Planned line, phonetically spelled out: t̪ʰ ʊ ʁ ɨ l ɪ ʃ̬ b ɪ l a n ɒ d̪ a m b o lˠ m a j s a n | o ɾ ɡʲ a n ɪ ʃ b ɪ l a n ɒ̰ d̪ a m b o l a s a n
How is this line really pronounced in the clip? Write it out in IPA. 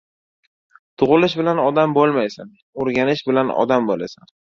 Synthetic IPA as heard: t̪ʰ ʊ ʁ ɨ l ɪ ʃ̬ b ɪ l a n ɒ d̪ a m b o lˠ m a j s a n | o ɾ ɡʲ a n ɪ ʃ b ɪ l a n ɒ̰ d̪ a m b o l a s a n